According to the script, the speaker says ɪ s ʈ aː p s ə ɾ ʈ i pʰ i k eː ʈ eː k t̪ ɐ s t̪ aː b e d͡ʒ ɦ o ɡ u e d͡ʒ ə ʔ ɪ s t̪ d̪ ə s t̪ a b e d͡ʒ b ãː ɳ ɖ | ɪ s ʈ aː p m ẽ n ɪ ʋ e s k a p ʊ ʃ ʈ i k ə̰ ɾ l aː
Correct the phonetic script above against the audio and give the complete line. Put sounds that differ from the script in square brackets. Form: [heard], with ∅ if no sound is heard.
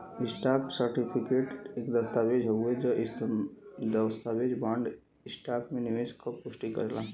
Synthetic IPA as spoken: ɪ s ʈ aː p s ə ɾ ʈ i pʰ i k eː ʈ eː k [d̪] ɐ s t̪ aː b e d͡ʒ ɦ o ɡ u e d͡ʒ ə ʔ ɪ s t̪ d̪ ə s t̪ a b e d͡ʒ b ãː ɳ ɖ | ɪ s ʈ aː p m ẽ n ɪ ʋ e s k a p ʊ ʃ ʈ i k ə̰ ɾ l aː